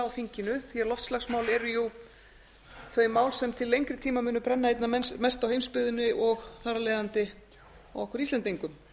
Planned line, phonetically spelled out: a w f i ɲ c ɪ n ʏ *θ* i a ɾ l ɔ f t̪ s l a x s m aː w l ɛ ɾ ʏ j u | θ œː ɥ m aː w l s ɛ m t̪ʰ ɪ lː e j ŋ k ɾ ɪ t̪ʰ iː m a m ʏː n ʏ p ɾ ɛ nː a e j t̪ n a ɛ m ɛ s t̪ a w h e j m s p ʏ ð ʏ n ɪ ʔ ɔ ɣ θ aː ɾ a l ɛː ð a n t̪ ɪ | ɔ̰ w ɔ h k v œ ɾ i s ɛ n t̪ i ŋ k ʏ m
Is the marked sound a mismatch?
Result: no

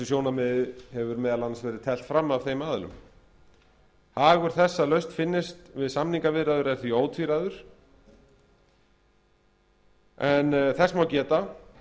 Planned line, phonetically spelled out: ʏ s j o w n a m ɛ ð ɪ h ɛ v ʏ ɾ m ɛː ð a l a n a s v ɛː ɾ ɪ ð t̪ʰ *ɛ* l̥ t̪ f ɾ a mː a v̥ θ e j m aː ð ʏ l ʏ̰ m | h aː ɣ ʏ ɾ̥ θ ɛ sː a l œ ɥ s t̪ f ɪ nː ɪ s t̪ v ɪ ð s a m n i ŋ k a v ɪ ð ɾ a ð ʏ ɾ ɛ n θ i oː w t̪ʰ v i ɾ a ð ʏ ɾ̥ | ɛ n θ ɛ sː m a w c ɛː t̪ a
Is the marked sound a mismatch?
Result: no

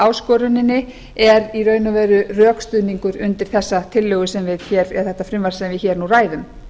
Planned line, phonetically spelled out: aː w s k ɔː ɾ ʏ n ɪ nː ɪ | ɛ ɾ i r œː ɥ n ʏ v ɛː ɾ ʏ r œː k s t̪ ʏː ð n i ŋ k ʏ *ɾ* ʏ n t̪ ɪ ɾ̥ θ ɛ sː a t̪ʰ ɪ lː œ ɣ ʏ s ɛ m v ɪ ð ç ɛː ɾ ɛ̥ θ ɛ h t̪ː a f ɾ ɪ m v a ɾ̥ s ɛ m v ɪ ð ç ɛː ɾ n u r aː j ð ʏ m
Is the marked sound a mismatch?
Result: no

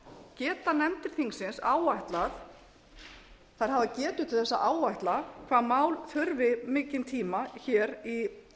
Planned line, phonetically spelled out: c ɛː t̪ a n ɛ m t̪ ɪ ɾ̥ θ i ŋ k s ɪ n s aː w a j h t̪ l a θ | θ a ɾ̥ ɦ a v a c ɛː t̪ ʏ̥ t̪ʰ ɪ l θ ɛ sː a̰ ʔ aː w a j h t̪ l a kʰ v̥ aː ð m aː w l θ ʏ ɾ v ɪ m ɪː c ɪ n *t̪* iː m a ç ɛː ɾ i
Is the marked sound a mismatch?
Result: yes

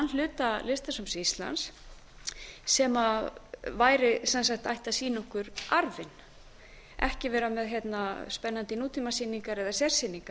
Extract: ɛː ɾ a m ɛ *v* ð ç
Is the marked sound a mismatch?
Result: yes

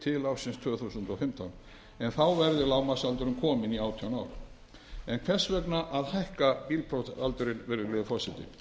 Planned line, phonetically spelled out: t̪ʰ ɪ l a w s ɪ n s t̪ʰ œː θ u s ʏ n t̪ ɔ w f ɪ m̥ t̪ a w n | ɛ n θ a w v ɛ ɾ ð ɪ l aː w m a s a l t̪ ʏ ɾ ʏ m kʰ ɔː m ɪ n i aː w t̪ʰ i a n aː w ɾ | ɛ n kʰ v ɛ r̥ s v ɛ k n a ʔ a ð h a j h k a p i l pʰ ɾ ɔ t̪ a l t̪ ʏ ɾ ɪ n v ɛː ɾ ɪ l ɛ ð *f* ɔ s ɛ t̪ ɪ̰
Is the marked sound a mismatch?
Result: no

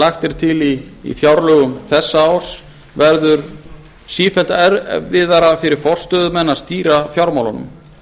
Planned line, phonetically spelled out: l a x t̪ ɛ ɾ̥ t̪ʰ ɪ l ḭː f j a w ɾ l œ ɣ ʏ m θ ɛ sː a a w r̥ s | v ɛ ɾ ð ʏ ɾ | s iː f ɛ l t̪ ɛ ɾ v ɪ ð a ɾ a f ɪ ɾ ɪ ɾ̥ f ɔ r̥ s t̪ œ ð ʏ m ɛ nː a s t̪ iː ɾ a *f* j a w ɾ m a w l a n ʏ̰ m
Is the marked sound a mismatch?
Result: no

